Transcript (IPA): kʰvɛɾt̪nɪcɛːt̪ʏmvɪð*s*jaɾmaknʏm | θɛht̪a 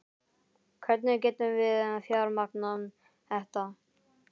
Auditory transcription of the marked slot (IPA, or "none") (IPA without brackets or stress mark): f